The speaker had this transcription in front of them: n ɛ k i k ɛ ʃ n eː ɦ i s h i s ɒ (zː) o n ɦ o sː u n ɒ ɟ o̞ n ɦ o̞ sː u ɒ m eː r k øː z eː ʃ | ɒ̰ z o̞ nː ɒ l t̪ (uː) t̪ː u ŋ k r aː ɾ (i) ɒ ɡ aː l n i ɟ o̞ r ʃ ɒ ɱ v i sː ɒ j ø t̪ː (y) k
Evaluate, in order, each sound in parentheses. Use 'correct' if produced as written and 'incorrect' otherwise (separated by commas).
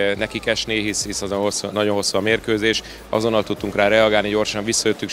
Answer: incorrect, incorrect, incorrect, correct